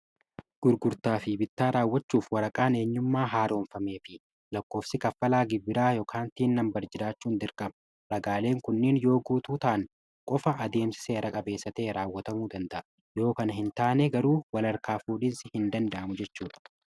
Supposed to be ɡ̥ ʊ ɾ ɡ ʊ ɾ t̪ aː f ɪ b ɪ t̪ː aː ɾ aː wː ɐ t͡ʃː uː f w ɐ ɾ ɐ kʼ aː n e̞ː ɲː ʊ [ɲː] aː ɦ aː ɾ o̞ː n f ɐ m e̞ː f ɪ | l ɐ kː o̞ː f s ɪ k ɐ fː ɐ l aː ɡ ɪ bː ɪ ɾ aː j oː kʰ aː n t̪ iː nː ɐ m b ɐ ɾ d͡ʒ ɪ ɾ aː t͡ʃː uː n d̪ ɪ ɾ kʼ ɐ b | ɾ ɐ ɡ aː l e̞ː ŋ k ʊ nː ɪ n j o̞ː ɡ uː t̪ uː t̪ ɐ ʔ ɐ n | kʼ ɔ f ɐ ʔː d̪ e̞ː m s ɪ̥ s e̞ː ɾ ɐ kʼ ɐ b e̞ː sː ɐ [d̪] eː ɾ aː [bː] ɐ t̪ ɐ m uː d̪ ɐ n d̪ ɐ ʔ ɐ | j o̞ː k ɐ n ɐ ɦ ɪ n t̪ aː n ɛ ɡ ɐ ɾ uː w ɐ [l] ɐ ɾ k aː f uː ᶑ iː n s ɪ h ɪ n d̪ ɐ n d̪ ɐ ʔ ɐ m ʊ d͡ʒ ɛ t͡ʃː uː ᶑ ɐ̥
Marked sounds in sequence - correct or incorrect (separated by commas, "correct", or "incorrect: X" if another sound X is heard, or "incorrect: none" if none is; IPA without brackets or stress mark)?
incorrect: mː, incorrect: t̪, incorrect: wː, correct